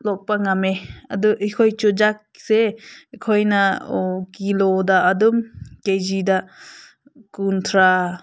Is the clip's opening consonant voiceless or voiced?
voiced